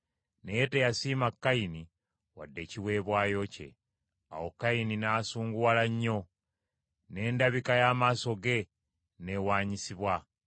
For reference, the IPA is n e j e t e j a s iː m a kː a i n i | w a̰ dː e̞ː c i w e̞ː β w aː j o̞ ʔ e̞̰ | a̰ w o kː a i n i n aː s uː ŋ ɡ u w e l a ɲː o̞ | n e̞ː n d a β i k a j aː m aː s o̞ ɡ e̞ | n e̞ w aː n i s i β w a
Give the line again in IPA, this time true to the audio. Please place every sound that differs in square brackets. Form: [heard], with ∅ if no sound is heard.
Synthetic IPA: n e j e t e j a s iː m a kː a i n i | w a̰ dː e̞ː c i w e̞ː β w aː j o̞ [c] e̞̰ | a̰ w o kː a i n i n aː s uː ŋ ɡ u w [a] l a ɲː o̞ | n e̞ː n d a β i k a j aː m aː s o̞ ɡ e̞ | n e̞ w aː [ɲ] i s i β w a